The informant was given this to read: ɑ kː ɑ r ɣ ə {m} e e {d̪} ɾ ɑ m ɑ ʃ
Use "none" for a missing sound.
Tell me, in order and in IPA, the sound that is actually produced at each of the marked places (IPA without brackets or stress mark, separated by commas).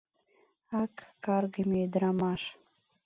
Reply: m, d̪